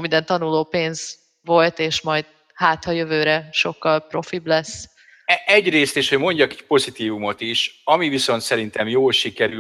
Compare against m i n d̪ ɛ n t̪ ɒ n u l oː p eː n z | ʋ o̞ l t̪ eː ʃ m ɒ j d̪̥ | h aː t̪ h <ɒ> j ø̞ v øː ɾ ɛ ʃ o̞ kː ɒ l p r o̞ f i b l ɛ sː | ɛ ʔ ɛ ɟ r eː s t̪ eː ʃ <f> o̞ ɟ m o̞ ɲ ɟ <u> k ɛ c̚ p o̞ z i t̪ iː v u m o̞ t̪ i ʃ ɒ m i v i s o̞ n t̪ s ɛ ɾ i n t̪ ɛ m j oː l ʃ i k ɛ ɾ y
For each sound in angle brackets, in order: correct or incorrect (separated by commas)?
correct, incorrect, incorrect